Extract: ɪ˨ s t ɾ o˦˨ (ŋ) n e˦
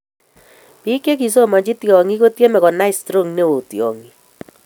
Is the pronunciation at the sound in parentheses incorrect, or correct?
correct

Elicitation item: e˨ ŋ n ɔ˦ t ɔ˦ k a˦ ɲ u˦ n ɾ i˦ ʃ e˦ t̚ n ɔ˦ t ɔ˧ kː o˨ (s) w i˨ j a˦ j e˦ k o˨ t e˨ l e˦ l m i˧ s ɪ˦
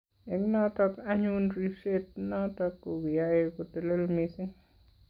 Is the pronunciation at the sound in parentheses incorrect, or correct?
incorrect: none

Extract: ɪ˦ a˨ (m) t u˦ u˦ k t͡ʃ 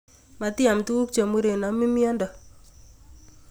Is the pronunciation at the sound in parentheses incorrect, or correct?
correct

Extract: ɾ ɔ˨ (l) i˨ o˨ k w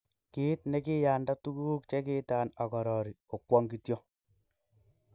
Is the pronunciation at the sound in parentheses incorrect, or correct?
incorrect: ɾ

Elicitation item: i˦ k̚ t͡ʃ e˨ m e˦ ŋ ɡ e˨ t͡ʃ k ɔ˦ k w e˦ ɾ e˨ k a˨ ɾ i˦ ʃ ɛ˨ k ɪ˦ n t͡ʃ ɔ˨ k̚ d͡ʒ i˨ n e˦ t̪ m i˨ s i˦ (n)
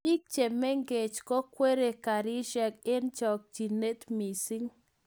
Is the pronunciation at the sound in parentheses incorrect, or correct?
incorrect: ŋ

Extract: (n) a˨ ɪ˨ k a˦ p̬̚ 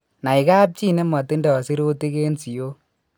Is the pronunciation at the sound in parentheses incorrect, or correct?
correct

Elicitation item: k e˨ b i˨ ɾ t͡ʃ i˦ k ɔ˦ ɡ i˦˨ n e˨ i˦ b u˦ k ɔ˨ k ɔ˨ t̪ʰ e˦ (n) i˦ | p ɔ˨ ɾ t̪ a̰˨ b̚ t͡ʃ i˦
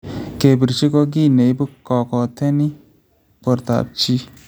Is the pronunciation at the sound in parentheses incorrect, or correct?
correct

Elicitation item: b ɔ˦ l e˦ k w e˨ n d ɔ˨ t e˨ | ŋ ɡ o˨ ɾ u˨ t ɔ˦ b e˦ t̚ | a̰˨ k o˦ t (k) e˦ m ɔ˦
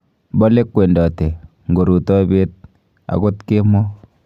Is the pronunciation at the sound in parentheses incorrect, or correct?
correct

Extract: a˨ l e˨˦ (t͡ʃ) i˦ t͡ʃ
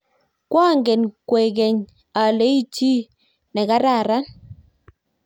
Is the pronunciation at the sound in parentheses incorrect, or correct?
incorrect: none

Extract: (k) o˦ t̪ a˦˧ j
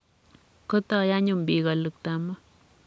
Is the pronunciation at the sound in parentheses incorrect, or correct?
correct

